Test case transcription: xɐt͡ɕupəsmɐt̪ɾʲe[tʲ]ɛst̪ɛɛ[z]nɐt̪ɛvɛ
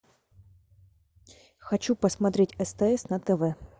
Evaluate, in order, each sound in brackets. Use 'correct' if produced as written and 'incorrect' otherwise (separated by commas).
correct, incorrect